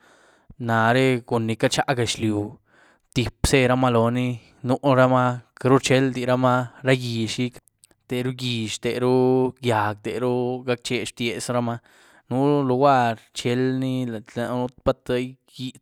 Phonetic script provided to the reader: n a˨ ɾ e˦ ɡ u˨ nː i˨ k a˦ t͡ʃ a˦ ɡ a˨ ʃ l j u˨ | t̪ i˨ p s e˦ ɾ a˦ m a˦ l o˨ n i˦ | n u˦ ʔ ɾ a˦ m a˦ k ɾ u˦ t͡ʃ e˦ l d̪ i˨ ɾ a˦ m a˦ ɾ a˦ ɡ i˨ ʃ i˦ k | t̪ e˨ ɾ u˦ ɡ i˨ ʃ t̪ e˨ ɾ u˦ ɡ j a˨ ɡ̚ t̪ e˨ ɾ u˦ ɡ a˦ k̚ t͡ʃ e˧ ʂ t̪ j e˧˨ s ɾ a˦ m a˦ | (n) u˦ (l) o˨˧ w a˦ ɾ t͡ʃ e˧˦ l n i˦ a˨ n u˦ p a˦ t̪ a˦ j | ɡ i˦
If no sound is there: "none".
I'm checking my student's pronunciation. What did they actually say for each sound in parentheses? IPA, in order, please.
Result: n, l

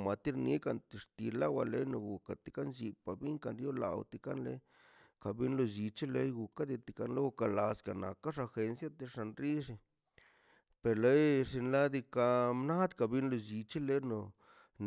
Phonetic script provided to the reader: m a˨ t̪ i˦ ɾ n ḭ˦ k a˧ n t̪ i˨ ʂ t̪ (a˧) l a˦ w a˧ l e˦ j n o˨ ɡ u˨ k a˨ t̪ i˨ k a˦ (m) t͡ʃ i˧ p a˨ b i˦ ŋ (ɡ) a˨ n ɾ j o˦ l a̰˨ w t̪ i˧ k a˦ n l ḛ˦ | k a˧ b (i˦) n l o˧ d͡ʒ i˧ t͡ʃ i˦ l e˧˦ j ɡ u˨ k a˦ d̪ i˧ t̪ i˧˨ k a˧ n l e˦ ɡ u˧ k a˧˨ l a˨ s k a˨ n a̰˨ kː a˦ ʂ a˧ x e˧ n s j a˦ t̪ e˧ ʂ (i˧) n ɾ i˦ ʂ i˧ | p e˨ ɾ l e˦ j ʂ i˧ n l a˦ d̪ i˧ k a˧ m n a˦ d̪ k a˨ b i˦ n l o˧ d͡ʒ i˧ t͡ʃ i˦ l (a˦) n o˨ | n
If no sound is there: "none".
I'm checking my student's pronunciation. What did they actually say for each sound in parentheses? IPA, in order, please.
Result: i˧, n, k, i˦, a˧, e˦

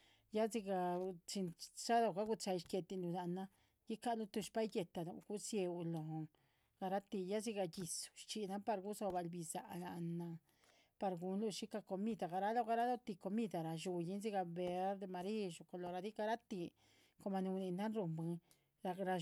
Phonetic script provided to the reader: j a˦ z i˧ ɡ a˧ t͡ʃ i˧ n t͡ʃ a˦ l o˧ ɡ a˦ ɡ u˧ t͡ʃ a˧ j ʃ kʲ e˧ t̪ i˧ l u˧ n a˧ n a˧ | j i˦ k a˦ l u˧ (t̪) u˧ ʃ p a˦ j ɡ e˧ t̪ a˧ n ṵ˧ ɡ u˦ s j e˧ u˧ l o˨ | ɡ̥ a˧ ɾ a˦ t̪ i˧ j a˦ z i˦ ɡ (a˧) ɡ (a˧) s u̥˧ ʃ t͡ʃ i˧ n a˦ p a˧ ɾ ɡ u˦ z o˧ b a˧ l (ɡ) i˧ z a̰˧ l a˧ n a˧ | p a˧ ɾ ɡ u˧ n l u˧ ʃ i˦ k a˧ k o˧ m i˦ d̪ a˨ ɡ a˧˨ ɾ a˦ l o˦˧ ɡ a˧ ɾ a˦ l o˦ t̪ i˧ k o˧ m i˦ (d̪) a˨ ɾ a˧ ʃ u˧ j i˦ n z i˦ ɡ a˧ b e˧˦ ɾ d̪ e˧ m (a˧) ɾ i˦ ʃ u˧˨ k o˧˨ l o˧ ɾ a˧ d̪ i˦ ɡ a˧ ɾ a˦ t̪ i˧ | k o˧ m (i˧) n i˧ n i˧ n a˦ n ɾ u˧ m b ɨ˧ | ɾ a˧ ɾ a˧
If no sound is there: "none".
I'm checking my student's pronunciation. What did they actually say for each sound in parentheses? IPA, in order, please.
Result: t̪, a˧, i˧, b, d̪, a˧, a˧

